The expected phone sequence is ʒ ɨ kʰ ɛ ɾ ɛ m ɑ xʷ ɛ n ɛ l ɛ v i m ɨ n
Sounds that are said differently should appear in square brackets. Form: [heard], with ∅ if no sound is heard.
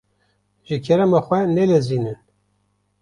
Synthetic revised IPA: ʒ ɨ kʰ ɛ ɾ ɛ m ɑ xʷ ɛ n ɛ l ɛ [z] i [n] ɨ n